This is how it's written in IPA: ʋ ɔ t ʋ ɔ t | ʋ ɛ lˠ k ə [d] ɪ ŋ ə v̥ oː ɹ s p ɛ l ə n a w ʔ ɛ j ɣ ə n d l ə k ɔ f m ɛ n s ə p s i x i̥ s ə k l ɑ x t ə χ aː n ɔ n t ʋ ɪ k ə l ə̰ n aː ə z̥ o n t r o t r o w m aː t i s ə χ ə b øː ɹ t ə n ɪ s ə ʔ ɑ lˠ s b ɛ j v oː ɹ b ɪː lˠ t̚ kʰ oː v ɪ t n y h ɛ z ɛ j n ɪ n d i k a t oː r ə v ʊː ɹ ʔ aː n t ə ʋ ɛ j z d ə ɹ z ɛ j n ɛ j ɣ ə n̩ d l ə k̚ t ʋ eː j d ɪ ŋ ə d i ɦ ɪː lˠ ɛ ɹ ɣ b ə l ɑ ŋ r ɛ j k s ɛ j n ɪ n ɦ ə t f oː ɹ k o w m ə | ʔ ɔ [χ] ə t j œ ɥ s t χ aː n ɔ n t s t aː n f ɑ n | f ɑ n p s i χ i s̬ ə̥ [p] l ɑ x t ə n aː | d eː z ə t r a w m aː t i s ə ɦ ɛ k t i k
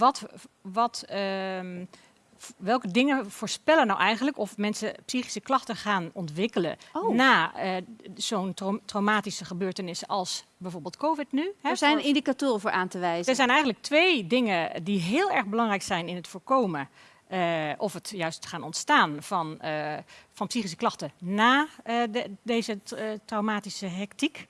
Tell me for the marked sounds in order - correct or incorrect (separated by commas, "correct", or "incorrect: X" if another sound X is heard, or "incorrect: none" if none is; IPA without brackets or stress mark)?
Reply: correct, incorrect: f, incorrect: k